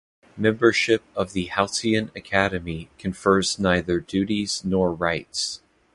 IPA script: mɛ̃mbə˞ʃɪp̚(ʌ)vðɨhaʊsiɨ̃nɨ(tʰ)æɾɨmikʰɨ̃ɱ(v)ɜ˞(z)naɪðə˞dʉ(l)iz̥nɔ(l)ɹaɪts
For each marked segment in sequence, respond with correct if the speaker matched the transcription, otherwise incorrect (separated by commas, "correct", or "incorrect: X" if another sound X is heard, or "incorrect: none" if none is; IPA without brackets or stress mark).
correct, incorrect: kʰ, incorrect: f, correct, incorrect: ɾ, incorrect: ɹ